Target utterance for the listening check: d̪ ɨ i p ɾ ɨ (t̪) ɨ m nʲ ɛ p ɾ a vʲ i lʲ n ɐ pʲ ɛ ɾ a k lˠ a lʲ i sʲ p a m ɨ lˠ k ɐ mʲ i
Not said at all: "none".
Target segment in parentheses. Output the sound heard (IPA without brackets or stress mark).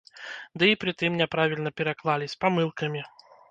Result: t̪